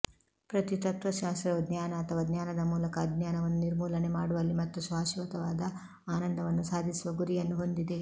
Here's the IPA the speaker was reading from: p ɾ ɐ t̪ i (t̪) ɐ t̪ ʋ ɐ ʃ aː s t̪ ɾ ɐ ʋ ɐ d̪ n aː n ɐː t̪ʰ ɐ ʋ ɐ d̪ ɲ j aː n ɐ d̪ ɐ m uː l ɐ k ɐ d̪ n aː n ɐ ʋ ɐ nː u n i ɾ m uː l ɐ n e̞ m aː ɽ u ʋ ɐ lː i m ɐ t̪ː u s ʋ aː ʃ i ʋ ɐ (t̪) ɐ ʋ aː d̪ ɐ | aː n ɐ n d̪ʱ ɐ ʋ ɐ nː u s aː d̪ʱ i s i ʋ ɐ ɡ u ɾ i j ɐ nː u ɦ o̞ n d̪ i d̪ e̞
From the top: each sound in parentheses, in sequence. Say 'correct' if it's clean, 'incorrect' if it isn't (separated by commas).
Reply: correct, correct